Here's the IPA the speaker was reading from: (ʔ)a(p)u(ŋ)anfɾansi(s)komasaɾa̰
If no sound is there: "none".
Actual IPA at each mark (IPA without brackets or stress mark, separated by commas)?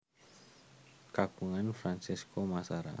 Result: k, k, ŋ, s